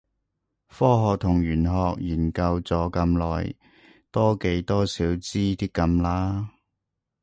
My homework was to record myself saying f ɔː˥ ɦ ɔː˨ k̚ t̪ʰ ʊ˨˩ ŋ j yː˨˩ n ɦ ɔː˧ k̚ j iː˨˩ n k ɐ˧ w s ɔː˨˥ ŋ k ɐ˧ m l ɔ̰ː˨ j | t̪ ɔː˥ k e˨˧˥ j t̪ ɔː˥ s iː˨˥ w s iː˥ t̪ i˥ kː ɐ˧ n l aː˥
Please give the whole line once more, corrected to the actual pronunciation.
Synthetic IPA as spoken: f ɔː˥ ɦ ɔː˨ k̚ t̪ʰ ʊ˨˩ ŋ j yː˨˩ n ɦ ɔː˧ k̚ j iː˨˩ n k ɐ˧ w t͡s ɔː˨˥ k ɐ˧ m l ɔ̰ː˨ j | t̪ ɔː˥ k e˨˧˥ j t̪ ɔː˥ s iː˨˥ w t͡s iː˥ t̪ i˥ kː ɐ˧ m l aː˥